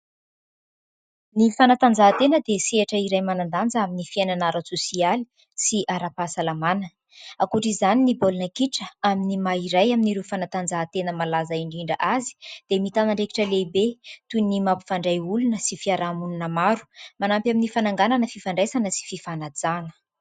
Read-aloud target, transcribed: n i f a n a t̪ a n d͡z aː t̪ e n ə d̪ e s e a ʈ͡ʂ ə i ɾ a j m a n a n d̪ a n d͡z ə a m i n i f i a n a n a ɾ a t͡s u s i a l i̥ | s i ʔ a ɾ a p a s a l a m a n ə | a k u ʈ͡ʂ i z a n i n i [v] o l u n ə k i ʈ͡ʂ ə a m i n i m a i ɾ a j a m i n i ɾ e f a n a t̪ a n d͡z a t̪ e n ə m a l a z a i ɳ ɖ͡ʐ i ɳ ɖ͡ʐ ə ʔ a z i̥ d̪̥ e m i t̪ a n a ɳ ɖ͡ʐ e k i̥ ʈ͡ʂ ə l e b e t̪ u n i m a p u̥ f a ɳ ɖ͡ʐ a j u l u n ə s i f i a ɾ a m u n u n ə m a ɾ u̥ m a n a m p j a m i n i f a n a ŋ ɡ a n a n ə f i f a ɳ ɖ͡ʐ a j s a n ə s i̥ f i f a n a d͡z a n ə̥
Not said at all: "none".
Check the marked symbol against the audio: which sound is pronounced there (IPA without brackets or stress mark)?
b